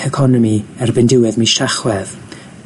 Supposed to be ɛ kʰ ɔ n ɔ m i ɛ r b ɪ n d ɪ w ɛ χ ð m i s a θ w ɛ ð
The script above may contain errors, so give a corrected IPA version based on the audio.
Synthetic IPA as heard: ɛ kʰ ɔ n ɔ m i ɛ r b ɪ n d ɪ w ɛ ð m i ʃ a χ w ɛ ð